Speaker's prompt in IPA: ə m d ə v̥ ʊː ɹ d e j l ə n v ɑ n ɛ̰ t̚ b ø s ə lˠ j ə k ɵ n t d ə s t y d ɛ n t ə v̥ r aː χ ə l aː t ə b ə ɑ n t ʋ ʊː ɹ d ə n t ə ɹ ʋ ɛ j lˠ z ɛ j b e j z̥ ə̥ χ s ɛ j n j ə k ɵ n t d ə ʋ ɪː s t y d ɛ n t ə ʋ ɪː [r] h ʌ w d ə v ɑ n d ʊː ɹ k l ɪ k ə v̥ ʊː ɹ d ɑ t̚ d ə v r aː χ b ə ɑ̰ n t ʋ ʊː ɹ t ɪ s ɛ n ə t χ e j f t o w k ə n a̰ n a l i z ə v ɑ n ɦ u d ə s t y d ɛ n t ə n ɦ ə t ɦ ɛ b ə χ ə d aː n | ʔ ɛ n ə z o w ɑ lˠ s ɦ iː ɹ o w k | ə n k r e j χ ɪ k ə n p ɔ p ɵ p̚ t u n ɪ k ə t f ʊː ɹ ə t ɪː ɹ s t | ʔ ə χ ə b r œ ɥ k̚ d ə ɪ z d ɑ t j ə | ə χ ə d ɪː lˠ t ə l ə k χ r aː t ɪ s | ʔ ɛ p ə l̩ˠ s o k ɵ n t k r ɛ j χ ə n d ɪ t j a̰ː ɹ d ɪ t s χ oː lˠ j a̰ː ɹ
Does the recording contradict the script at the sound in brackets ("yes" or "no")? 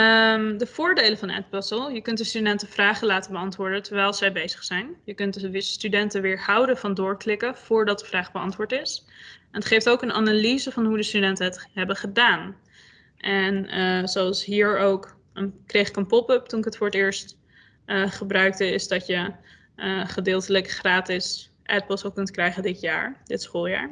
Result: yes